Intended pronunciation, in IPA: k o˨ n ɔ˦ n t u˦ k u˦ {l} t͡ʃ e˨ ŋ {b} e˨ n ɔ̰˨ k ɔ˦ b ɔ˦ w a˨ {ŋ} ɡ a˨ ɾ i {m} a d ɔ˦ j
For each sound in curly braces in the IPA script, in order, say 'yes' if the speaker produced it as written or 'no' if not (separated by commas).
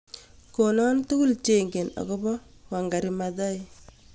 yes, no, yes, yes